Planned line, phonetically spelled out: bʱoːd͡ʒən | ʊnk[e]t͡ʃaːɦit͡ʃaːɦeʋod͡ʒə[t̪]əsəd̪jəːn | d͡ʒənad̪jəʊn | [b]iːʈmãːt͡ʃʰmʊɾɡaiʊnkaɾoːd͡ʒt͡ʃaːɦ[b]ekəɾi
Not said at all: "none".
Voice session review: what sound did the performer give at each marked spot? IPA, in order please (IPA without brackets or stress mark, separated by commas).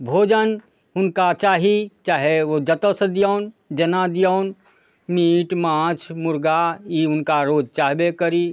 a, t̪, m, b